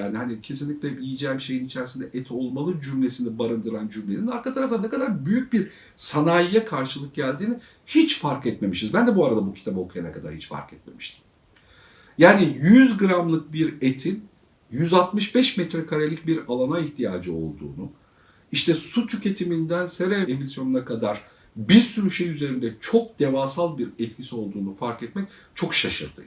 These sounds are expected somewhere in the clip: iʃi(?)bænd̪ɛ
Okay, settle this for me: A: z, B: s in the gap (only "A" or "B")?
A